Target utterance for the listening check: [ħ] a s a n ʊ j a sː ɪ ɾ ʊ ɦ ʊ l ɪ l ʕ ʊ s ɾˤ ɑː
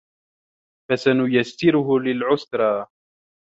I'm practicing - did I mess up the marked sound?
yes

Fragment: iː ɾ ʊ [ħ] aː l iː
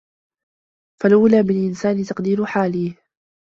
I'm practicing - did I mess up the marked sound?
no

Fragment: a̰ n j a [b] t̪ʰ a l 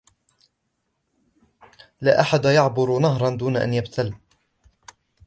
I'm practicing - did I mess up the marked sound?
no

